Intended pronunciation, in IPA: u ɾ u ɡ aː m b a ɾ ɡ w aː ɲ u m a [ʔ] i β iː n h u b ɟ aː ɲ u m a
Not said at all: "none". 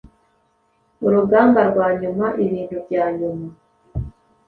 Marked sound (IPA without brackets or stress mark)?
ʔ